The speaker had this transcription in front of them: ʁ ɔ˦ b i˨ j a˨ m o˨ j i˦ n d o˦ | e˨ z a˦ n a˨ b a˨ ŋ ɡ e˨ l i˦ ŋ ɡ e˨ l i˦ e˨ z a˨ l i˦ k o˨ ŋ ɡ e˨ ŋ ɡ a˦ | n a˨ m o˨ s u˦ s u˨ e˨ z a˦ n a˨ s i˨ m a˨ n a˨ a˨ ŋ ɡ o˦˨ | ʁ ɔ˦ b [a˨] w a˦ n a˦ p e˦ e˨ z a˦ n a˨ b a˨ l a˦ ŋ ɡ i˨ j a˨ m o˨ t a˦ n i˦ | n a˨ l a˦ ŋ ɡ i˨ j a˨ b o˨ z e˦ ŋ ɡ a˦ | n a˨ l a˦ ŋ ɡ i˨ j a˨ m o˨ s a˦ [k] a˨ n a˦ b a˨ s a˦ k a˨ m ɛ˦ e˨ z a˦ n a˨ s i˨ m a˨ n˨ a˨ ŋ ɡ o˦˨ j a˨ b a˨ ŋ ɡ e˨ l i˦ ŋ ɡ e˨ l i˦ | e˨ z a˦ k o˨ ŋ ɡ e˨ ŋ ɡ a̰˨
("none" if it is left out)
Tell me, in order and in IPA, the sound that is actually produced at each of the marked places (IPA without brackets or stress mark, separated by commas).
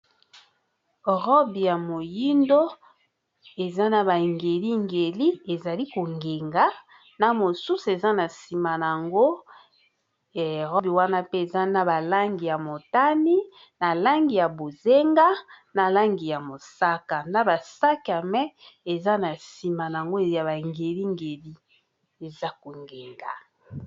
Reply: i˨, k